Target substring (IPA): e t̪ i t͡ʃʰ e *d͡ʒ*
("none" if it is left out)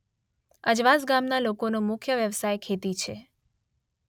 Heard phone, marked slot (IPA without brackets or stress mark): none